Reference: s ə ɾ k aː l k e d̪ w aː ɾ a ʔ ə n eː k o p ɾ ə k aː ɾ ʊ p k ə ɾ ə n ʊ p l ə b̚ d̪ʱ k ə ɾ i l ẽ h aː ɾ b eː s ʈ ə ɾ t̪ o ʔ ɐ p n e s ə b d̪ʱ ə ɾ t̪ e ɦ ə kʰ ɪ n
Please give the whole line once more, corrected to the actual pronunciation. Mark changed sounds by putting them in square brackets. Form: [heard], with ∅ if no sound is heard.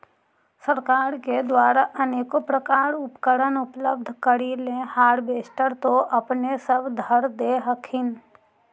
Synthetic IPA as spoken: s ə ɾ k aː [ɾ] k e d̪ w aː ɾ a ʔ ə n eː k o p ɾ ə k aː ɾ ʊ p k ə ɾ ə n ʊ p l ə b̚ d̪ʱ k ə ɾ i l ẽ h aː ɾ b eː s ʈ ə ɾ t̪ o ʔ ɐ p n e s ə b d̪ʱ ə ɾ [d̪] e ɦ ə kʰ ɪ n

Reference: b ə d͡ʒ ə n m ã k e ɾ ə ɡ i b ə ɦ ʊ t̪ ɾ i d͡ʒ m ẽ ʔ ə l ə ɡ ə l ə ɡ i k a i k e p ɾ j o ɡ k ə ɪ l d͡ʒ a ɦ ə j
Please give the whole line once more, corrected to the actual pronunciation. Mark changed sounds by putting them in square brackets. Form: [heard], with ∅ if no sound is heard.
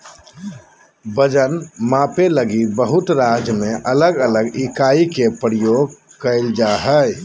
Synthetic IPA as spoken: b ə d͡ʒ ə n m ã [p] e [l] ə ɡ i b ə ɦ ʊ t̪ ɾ [a] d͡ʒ m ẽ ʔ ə l ə ɡ ə l ə ɡ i k a i k e p ɾ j o ɡ k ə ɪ l d͡ʒ a ɦ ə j

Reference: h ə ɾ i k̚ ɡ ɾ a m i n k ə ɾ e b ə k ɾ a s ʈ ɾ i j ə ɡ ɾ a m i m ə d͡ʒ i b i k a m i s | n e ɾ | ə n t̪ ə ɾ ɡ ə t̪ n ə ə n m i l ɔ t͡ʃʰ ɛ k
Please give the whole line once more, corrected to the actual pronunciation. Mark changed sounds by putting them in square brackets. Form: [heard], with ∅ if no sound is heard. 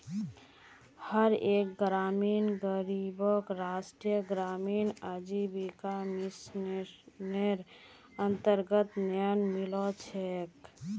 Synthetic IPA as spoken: h ə ɾ [e] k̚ ɡ ɾ a m i n [ɡ] ə ɾ [i] b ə k ɾ a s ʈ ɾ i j ə ɡ ɾ a m i [n] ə d͡ʒ i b i k a m i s | n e ɾ | ə n t̪ ə ɾ ɡ ə t̪ n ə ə n m i l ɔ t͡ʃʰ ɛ k

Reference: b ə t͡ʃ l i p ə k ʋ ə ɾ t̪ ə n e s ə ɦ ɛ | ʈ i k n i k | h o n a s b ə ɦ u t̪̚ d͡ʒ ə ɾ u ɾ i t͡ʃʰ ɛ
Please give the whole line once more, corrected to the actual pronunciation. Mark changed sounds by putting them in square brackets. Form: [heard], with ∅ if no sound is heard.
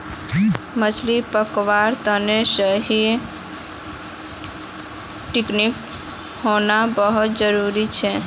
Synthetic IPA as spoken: [m] ə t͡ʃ l i p ə k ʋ [a] ɾ t̪ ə n e s ə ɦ [i] | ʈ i k n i k | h o n a [∅] b ə ɦ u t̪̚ d͡ʒ ə ɾ u ɾ i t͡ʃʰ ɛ

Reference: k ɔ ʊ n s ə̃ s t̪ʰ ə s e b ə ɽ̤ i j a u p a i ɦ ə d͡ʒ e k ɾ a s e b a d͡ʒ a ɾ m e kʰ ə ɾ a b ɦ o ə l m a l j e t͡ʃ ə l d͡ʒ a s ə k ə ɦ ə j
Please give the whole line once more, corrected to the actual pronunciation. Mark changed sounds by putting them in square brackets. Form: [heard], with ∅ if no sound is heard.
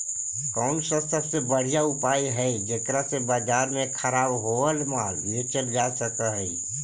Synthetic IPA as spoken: k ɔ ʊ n s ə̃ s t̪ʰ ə s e b ə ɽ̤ i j a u p a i ɦ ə d͡ʒ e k ɾ a s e b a d͡ʒ a ɾ m e kʰ ə ɾ a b ɦ o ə l m a l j e t͡ʃ ə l d͡ʒ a s ə k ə ɦ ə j

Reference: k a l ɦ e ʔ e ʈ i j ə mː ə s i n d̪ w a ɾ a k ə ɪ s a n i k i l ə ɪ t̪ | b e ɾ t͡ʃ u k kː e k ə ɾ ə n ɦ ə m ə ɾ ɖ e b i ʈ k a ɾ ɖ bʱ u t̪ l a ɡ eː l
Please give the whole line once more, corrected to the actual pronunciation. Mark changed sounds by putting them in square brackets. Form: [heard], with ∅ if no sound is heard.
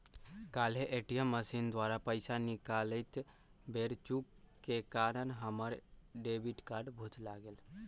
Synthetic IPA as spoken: k a l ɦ e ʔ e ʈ i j ə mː ə s i n d̪ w a ɾ a [p] ə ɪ s a n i k [a] l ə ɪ t̪ | b e ɾ t͡ʃ u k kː e k [a] ɾ ə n ɦ ə m ə ɾ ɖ e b i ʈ k a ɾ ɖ bʱ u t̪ l a ɡ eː l

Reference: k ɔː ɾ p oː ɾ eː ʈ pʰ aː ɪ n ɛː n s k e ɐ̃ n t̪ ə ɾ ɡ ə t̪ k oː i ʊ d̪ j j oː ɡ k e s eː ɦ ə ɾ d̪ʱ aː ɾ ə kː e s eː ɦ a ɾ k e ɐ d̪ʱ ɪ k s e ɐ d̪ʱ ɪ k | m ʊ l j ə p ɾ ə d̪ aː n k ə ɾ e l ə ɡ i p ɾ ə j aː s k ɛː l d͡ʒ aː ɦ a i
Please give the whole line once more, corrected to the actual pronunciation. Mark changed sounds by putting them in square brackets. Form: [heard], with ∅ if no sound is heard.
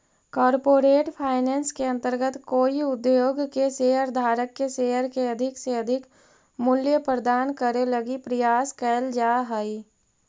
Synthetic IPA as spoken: k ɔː ɾ p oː ɾ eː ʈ pʰ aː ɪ n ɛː n s k e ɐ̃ n t̪ ə ɾ ɡ ə t̪ k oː i ʊ d̪ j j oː ɡ k e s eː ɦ ə ɾ d̪ʱ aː ɾ ə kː e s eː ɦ [ə] ɾ k e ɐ d̪ʱ ɪ k s e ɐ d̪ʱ ɪ k | m ʊ l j ə p ɾ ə d̪ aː n k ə ɾ e l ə ɡ i p ɾ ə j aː s k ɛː l d͡ʒ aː ɦ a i

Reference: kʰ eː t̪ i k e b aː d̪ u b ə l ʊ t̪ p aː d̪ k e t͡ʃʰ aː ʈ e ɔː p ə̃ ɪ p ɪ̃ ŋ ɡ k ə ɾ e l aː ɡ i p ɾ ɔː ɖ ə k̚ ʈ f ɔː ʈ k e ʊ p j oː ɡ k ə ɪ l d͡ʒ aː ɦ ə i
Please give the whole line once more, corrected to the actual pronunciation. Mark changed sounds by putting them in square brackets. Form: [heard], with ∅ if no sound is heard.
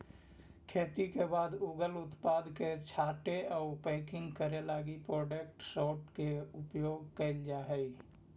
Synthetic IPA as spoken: kʰ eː t̪ i k e b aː d̪ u [ɡ] ə l ʊ t̪ p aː d̪ k e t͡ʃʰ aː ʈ e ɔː p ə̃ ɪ [k] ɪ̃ ŋ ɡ k ə ɾ e l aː ɡ i p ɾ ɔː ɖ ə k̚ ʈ [s] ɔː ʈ k e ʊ p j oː ɡ k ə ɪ l d͡ʒ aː ɦ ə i

